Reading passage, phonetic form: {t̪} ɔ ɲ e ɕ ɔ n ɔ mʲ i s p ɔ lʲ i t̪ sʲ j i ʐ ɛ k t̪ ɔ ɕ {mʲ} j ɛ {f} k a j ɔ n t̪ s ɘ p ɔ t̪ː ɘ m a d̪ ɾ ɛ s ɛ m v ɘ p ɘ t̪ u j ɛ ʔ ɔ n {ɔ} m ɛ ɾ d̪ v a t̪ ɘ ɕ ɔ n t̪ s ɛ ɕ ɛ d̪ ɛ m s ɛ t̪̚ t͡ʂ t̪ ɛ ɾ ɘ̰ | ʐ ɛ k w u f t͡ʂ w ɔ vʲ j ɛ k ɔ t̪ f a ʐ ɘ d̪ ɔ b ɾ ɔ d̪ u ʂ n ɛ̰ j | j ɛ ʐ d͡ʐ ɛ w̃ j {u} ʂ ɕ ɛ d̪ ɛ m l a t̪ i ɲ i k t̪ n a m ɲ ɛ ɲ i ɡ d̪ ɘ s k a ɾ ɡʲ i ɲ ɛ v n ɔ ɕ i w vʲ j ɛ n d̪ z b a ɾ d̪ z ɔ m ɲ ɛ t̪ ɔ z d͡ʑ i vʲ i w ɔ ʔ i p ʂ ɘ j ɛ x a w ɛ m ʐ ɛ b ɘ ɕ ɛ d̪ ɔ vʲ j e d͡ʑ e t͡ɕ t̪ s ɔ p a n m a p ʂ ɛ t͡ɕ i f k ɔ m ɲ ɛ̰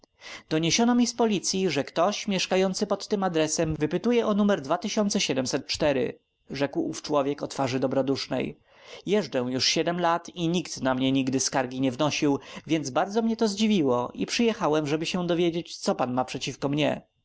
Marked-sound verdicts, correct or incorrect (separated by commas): incorrect, correct, incorrect, incorrect, correct